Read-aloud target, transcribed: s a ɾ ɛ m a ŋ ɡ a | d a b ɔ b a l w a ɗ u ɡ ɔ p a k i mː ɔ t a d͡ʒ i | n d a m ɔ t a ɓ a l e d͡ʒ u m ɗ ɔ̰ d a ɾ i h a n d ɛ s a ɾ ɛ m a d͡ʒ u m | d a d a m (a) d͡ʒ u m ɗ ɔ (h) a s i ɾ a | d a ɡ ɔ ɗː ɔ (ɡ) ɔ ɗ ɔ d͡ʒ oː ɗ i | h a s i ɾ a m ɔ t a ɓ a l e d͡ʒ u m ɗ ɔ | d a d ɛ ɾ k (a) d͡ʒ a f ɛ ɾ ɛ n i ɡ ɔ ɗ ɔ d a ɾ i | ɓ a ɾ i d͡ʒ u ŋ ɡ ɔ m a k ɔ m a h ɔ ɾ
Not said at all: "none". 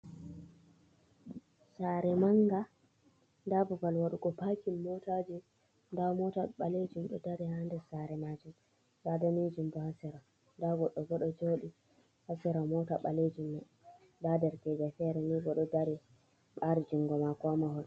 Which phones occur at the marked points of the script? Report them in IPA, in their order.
i, h, ɡ, ɛ

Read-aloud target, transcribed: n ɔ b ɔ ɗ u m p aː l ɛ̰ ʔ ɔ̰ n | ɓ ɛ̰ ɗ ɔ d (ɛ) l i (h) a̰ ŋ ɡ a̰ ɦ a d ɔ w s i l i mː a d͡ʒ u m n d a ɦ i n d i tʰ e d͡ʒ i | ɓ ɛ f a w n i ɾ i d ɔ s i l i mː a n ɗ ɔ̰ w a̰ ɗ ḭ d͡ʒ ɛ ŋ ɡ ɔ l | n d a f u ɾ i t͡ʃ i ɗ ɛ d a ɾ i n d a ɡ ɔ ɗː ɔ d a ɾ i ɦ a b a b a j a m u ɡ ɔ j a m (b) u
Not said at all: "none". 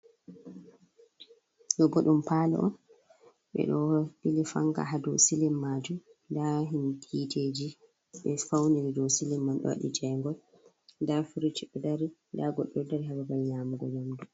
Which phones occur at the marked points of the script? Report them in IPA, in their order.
i, f, d

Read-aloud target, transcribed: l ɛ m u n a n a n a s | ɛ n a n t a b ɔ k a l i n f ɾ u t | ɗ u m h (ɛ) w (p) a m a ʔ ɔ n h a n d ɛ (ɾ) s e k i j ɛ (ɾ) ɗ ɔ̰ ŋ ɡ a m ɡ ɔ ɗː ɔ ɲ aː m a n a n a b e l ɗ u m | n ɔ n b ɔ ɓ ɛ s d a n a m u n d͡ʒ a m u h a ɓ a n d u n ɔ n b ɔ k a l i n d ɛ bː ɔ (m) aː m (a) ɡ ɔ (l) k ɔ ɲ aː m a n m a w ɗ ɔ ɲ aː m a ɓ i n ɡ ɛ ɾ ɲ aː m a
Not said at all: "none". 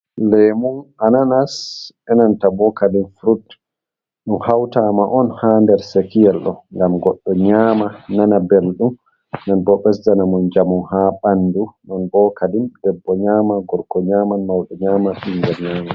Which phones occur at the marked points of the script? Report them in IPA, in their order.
a, t, ɾ, l, ɲ, a, ɾ

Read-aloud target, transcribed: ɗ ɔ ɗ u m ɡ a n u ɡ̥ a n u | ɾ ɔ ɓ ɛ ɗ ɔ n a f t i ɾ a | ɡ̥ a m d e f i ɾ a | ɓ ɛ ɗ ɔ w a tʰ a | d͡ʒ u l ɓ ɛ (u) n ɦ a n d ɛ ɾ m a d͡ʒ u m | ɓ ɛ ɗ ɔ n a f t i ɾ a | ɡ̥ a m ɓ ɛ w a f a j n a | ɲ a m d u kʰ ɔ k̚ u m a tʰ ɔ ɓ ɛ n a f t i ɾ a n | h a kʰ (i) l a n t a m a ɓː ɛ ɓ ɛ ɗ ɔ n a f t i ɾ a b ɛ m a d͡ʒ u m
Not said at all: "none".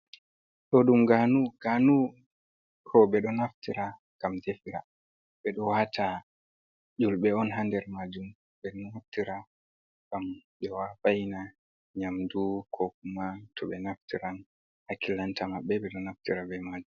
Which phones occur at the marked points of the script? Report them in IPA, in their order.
ɔ, i

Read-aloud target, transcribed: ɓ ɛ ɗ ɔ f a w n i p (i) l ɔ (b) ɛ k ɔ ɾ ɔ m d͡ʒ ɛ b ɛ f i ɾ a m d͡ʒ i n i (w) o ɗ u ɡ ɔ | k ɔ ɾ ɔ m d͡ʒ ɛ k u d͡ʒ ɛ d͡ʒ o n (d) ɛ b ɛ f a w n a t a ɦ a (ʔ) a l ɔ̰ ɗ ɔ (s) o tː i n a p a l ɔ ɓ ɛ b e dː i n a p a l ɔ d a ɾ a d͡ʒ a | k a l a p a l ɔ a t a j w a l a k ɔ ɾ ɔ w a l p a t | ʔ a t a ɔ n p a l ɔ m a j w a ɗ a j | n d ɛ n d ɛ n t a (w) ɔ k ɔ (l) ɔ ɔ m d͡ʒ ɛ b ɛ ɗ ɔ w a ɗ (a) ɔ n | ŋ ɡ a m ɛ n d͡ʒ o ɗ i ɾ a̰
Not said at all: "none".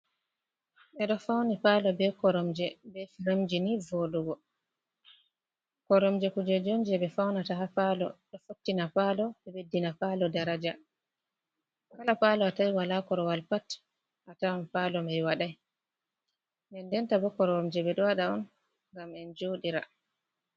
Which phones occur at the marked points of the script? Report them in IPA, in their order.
a, b, v, d͡ʒ, p, f, b, ɾ, a

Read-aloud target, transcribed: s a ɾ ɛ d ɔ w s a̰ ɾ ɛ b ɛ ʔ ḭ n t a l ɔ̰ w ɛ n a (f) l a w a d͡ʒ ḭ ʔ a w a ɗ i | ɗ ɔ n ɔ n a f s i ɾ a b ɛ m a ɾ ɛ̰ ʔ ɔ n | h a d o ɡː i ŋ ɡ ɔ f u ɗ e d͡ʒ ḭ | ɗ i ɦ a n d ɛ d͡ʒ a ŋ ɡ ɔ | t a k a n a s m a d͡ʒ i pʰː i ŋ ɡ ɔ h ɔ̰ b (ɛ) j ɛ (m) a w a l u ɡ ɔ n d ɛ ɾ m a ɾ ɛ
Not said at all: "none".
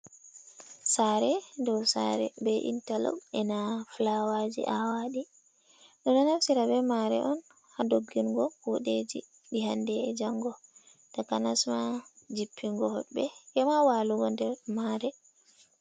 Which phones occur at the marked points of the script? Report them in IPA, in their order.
f, ɛ, m

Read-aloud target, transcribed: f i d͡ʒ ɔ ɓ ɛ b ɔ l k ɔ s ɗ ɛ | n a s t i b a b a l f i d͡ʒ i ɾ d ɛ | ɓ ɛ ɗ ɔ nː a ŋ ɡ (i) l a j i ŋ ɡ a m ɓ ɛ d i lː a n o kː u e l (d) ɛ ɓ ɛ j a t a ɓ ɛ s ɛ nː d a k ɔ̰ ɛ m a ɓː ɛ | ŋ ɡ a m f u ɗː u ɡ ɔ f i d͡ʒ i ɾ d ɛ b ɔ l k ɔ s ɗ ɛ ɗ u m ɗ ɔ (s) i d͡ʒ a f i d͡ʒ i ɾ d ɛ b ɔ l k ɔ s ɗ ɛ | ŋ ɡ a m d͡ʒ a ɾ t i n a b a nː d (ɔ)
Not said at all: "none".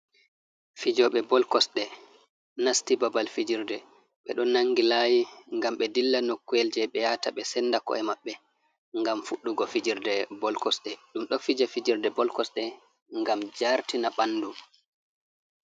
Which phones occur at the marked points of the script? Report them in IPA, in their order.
i, d͡ʒ, f, u

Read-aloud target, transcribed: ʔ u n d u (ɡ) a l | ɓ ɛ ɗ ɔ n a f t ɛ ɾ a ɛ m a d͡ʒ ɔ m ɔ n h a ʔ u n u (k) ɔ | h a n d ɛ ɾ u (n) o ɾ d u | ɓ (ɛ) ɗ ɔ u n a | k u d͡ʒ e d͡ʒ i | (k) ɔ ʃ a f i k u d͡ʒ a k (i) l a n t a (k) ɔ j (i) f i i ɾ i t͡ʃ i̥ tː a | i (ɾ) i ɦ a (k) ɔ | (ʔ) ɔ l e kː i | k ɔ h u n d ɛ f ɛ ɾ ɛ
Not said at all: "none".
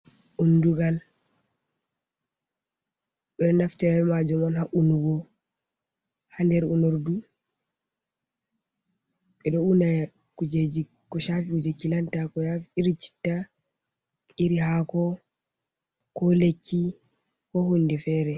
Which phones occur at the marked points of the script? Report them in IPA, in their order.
ɡ, ɡ, n, ɛ, k, i, k, a, ɾ, k, k

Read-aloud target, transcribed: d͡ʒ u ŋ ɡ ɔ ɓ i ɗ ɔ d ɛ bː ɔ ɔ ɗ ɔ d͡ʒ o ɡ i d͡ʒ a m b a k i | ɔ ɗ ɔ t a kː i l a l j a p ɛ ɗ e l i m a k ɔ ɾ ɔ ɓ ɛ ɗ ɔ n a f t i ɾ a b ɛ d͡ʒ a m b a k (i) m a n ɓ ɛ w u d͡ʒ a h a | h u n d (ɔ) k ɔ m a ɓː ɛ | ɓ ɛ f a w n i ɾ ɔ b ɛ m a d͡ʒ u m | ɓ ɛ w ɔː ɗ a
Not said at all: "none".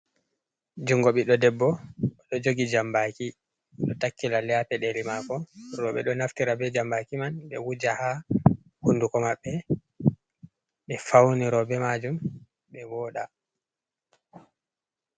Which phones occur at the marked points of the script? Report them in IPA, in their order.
i, u

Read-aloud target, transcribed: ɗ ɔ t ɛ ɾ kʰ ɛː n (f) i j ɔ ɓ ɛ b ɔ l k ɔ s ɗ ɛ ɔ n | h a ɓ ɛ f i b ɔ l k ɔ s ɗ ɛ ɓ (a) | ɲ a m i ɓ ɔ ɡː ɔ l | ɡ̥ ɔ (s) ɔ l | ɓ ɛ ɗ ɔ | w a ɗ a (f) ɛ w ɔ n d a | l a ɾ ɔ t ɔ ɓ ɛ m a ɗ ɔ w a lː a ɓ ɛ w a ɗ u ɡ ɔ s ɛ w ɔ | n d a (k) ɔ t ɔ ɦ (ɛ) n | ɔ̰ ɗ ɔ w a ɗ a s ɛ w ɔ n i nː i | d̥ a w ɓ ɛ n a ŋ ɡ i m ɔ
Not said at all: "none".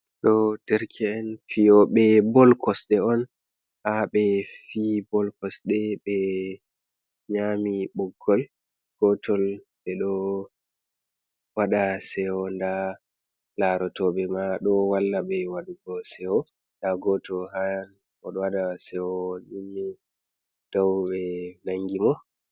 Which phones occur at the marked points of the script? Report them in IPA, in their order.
f, ɛ, t, s, ɡ, a

